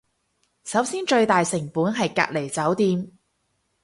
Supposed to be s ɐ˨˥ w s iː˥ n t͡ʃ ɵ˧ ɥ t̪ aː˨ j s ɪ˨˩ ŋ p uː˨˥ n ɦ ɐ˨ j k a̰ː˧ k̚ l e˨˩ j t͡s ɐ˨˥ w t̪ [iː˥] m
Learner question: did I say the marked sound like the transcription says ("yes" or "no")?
no